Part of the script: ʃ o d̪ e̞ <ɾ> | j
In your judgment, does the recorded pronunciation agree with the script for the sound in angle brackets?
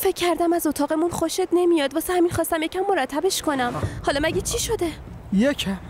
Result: no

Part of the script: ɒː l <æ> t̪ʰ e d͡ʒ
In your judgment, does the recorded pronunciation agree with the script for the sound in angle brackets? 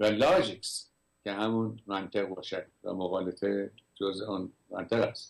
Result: no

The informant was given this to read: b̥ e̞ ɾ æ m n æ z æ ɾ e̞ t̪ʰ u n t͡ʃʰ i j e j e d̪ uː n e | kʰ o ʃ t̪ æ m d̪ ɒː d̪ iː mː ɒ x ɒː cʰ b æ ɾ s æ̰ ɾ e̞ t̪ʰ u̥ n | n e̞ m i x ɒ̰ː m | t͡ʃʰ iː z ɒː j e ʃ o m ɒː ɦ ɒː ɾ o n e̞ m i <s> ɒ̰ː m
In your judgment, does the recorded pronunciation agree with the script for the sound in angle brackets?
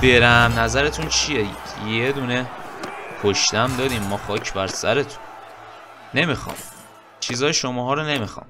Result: no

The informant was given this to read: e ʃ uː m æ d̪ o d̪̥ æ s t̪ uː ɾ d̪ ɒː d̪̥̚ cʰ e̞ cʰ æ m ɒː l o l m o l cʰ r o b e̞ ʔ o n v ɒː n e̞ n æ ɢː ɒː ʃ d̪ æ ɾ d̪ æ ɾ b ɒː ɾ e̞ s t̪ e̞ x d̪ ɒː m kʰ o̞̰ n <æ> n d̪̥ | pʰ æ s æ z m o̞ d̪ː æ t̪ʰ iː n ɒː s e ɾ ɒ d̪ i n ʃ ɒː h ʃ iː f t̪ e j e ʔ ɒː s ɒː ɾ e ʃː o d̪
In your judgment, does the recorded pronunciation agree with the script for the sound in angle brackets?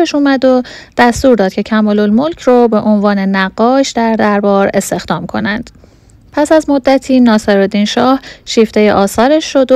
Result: yes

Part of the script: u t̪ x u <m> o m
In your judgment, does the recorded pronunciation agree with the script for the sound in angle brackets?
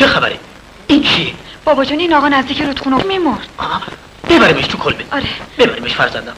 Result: no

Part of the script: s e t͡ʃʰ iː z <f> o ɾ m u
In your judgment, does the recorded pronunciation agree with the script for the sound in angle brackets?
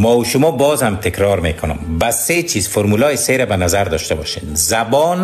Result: yes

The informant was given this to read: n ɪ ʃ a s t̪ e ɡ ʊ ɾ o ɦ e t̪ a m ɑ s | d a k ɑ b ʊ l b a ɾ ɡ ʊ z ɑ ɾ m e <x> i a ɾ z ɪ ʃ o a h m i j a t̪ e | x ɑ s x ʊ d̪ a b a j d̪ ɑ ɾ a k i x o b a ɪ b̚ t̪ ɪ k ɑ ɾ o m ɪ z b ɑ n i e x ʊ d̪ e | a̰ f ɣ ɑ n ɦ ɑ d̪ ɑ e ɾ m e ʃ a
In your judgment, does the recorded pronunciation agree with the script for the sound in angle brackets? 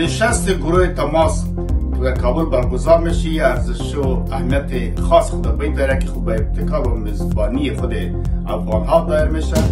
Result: no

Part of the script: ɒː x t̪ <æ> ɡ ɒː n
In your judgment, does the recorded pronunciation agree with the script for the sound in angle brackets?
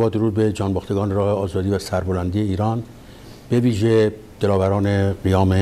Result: no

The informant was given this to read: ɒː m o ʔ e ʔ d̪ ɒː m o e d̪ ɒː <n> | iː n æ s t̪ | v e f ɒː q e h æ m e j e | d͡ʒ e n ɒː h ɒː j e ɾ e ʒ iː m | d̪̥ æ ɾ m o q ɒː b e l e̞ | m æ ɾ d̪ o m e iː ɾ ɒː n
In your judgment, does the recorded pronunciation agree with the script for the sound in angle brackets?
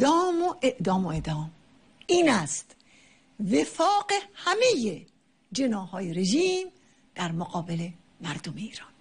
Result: no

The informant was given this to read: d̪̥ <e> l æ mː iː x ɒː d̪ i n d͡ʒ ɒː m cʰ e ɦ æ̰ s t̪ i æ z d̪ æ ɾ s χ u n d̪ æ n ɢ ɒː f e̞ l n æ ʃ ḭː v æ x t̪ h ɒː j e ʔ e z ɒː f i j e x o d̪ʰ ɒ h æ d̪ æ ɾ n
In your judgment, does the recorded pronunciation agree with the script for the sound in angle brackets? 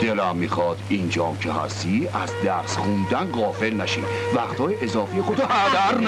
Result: yes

